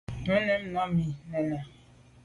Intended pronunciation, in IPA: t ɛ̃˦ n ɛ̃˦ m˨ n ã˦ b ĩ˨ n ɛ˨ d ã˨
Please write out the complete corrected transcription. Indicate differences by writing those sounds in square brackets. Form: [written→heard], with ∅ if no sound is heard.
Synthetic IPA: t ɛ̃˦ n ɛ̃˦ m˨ n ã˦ [b→m] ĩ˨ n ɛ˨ [d→n] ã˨